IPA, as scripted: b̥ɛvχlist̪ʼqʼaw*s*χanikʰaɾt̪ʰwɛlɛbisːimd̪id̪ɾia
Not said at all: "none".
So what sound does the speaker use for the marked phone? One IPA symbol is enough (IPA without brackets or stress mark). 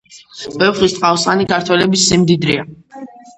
s